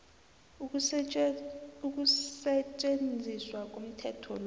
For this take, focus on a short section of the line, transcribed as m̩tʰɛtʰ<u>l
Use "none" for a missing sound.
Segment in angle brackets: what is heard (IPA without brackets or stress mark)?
ɔ